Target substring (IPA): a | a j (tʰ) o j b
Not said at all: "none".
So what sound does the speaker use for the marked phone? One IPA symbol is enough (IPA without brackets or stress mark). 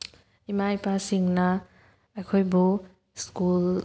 kʰ